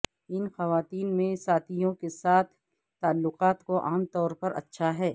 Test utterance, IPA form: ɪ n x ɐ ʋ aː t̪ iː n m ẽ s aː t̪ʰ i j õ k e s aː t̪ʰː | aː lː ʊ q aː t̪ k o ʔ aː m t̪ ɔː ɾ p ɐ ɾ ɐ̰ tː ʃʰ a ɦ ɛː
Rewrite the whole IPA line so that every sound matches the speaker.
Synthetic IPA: ɪ n x ɐ ʋ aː t̪ iː n m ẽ s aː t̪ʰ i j õ k e s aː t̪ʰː | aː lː ʊ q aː t̪ k o ʔ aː m t̪ ɔː ɾ p ɐ ɾ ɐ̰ tː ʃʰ a ɦ ɛː